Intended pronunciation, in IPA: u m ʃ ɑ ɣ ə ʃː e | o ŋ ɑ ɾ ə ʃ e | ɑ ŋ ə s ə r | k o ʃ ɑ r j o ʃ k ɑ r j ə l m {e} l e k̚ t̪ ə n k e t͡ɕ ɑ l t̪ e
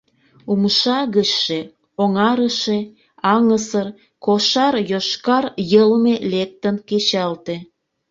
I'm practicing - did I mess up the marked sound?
no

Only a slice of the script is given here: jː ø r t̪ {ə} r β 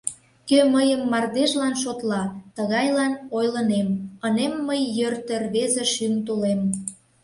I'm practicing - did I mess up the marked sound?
no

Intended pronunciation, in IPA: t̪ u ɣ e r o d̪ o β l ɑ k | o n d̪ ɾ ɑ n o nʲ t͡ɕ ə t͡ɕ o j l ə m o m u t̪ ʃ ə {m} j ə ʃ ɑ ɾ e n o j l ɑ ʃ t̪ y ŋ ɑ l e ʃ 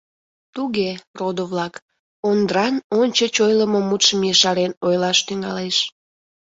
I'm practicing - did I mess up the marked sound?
no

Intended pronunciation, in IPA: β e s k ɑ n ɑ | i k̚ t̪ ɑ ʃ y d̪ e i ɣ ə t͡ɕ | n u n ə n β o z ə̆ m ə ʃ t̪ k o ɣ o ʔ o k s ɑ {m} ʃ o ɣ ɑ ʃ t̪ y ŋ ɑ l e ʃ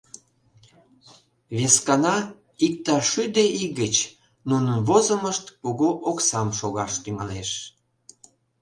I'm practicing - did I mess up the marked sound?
no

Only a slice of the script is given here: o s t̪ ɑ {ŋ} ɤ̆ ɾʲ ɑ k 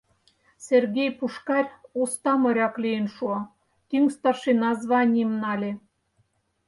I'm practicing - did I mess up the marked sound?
yes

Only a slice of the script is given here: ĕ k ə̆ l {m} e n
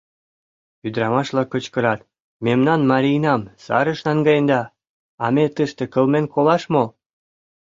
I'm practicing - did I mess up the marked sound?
no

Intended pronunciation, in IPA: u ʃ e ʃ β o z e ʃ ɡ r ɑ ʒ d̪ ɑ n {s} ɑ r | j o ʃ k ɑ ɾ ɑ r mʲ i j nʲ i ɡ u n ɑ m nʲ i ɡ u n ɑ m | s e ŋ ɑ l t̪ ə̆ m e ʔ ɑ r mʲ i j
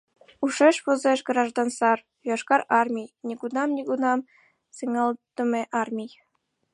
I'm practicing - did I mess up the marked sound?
no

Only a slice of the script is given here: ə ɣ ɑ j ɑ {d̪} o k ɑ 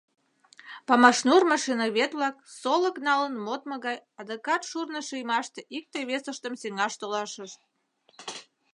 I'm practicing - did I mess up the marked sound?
no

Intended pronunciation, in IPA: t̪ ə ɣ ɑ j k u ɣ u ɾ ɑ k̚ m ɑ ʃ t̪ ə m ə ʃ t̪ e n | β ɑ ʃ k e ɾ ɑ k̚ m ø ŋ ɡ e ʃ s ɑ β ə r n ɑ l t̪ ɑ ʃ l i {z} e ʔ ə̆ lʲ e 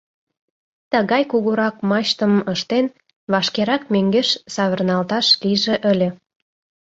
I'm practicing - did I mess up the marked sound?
yes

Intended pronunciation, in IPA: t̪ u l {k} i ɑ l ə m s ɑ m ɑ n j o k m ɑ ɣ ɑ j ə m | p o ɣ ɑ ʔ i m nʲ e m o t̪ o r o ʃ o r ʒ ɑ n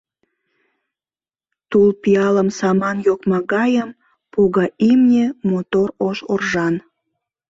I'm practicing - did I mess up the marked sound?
yes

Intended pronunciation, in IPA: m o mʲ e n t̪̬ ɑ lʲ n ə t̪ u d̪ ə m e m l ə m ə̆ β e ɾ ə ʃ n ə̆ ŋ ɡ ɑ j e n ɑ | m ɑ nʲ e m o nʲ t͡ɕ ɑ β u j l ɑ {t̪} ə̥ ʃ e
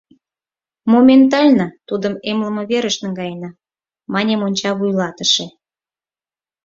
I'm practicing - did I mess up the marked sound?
no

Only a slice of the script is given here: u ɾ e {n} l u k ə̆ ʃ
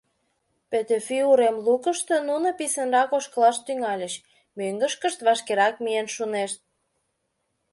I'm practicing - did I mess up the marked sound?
yes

